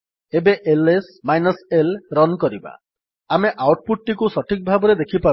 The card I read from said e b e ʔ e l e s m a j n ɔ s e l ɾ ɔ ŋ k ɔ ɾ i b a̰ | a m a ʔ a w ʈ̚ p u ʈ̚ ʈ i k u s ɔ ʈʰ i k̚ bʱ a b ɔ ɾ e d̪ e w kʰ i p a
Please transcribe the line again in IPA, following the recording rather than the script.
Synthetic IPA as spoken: e b e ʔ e l e s m a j n ɔ s e l ɾ ɔ n k ɔ ɾ i b a̰ | a m e ʔ a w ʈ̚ p u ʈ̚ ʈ i k u s ɔ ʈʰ i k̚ bʱ a b ɔ ɾ e d̪ e kʰ i p a